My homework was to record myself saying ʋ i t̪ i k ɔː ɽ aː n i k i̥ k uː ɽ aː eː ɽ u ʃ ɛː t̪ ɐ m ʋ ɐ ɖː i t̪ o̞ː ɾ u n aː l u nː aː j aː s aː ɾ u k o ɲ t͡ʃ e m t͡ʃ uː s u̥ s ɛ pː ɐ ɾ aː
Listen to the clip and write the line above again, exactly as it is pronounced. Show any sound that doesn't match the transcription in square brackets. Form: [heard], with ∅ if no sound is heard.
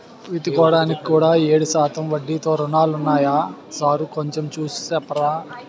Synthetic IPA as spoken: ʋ i t̪ i k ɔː ɽ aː n i k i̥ k uː ɽ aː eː ɽ u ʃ [aː] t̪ ɐ m ʋ ɐ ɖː i t̪ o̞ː ɾ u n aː l u nː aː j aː s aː ɾ u k o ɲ t͡ʃ e m t͡ʃ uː s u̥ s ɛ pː ɐ ɾ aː